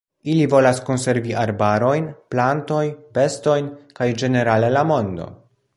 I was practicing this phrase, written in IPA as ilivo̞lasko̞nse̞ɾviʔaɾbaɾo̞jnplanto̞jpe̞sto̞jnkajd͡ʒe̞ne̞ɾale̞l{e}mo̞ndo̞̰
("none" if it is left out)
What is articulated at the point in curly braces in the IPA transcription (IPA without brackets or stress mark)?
a